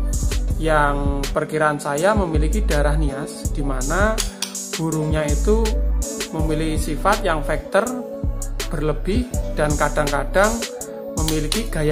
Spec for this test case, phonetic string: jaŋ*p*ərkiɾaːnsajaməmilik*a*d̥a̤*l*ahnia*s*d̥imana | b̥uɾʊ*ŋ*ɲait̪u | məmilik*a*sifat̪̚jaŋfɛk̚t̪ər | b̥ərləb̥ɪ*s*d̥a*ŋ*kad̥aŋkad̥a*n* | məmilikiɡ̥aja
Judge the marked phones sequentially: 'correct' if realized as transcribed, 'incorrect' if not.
correct, incorrect, incorrect, correct, correct, incorrect, incorrect, incorrect, incorrect

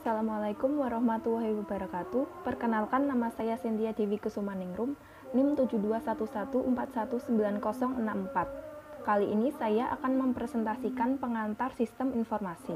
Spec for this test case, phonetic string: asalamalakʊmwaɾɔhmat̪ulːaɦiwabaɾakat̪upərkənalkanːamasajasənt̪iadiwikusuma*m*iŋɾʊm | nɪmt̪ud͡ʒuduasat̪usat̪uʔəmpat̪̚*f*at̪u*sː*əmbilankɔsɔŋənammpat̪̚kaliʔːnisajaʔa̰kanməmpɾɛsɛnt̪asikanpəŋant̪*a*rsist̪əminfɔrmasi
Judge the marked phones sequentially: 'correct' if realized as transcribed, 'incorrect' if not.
incorrect, incorrect, incorrect, correct

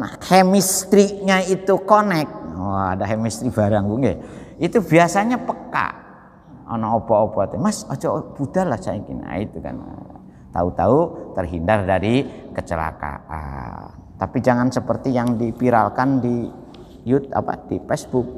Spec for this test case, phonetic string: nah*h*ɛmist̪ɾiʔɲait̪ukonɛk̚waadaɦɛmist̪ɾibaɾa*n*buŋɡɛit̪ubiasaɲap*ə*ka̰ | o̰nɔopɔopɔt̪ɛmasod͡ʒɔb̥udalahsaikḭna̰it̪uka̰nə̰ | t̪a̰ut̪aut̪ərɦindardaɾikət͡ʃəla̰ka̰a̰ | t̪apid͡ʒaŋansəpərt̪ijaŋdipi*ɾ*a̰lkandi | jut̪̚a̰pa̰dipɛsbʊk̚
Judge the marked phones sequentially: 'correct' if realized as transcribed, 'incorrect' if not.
correct, incorrect, correct, correct

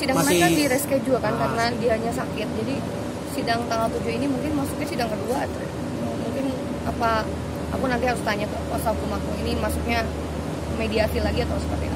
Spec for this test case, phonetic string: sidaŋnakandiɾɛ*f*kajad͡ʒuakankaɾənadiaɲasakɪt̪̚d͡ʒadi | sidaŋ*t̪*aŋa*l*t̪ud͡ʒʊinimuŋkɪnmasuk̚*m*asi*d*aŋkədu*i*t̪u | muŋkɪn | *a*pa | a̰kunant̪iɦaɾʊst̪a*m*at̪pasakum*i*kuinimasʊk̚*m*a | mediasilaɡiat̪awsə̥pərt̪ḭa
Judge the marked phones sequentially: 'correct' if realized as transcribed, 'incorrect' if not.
incorrect, correct, correct, incorrect, correct, incorrect, correct, incorrect, incorrect, incorrect

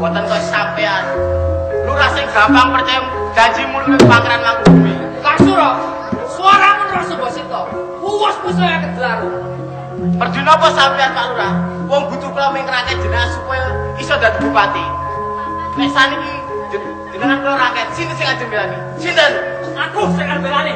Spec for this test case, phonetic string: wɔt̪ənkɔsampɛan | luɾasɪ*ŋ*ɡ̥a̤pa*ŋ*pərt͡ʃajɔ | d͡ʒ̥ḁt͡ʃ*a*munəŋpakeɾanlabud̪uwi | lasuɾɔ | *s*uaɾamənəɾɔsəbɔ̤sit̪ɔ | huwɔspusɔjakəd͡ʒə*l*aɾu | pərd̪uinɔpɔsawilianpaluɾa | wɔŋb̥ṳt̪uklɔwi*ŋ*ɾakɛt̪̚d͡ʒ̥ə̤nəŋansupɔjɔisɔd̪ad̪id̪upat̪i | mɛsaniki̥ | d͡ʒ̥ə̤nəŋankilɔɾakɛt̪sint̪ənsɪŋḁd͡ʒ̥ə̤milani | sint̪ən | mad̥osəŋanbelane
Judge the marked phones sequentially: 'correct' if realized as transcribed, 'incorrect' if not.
correct, correct, incorrect, correct, correct, correct

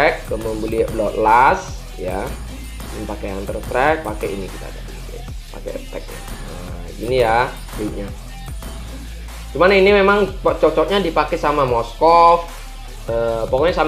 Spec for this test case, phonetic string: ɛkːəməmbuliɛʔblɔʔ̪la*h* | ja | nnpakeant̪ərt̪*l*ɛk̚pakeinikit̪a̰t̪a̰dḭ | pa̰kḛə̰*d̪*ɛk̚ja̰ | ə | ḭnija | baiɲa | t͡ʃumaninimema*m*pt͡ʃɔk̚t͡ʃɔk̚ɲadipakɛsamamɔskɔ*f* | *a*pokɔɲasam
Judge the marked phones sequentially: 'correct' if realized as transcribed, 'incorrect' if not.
incorrect, incorrect, incorrect, incorrect, correct, incorrect

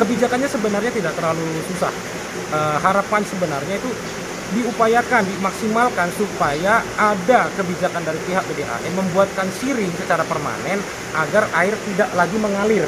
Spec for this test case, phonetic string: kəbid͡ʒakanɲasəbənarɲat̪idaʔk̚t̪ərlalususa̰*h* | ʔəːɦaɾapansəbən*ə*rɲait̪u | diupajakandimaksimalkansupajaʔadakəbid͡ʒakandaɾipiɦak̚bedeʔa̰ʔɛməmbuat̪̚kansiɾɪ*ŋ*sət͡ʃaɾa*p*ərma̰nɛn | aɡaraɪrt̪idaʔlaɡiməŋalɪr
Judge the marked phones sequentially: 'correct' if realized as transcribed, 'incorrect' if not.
correct, incorrect, correct, correct

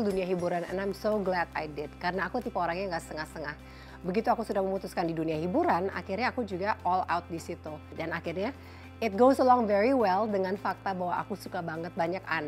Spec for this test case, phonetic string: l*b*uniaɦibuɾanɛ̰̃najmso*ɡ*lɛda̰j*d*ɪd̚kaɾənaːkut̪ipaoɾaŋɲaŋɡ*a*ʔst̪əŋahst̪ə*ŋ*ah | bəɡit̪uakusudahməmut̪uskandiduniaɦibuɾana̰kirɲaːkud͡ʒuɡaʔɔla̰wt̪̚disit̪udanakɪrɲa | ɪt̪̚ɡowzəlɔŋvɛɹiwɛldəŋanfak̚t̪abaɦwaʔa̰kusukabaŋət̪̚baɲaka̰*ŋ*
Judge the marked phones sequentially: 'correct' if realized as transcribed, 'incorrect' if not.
incorrect, correct, correct, correct, correct, incorrect

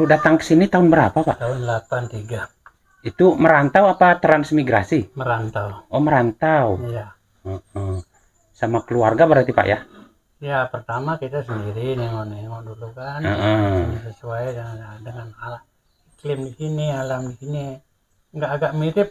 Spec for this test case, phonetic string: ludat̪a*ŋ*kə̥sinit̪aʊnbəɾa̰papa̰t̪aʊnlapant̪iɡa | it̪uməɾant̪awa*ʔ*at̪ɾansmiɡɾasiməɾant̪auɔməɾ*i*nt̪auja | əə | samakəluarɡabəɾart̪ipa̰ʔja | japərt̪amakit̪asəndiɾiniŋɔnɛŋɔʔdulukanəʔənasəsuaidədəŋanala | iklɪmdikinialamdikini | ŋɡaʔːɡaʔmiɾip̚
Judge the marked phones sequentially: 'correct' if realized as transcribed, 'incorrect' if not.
correct, incorrect, incorrect

